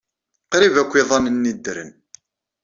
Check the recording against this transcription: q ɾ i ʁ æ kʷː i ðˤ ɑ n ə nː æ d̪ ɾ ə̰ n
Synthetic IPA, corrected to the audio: q ɾ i v æ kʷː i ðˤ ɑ n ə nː i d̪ ɾ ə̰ n